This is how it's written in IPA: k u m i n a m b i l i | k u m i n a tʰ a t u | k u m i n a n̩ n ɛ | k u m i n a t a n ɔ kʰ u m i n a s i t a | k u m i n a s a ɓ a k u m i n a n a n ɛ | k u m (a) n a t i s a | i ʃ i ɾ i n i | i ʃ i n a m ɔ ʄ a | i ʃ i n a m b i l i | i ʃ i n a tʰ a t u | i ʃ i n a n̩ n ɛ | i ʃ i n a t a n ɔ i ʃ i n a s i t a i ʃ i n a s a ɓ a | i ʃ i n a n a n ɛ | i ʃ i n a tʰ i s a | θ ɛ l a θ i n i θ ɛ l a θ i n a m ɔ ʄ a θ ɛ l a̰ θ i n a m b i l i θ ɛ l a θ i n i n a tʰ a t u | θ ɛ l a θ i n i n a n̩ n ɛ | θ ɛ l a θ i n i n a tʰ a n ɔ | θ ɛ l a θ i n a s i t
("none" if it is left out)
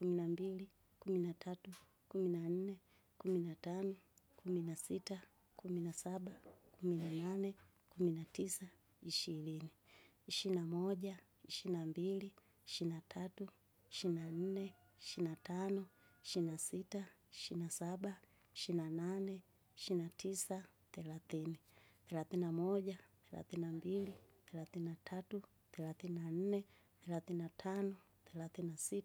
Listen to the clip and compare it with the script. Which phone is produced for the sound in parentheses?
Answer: i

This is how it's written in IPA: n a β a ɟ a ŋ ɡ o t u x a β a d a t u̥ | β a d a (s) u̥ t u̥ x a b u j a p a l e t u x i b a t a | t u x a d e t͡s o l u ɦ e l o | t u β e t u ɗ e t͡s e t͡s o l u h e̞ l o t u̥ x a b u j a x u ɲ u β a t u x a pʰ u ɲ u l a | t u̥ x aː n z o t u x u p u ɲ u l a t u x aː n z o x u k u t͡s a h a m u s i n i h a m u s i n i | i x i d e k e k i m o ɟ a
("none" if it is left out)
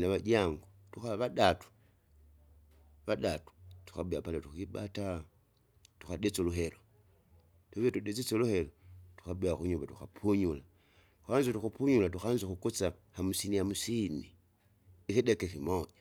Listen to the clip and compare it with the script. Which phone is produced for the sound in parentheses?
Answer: t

